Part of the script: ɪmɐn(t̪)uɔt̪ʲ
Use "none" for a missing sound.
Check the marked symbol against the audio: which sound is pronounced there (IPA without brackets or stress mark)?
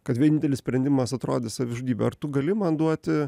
d̪